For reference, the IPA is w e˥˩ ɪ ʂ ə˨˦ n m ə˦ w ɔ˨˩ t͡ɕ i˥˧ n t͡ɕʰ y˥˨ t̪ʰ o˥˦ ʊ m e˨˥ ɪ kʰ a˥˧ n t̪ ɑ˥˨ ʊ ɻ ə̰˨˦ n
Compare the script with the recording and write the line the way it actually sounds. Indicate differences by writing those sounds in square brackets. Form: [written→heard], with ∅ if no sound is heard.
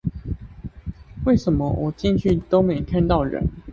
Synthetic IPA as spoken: w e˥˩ ɪ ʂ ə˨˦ n m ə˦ w ɔ˨˩ t͡ɕ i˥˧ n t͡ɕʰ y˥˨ [t̪ʰ→t̪] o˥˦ ʊ m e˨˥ ɪ kʰ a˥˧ n t̪ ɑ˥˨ ʊ ɻ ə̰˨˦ n